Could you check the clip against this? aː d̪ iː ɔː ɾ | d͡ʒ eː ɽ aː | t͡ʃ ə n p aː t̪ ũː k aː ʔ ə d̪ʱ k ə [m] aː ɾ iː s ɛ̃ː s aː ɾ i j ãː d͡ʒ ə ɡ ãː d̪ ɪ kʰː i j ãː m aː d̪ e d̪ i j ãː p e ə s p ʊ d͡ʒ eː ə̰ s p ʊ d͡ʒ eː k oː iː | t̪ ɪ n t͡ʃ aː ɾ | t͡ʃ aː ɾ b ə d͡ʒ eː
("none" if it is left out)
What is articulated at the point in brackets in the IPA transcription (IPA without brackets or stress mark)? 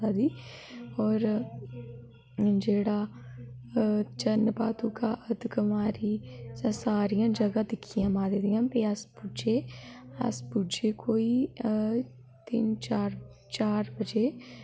m